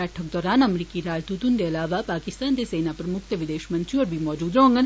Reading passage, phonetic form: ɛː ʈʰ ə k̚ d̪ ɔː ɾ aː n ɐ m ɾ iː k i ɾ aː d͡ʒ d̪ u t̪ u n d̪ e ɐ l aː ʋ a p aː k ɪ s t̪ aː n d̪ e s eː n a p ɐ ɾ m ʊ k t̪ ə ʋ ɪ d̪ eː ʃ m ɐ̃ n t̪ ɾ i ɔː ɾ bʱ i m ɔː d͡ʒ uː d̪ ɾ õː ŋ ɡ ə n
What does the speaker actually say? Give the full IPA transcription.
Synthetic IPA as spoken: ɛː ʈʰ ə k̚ d̪ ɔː ɾ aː n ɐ m ɾ iː k i ɾ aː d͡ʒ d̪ u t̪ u n d̪ e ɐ l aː ʋ a p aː k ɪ s t̪ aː n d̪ e s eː n a p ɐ ɾ m ʊ k t̪ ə ʋ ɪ d̪ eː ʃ m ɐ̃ n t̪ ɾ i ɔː ɾ bʱ i m ɔː d͡ʒ uː d̪ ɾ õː ŋ ɡ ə n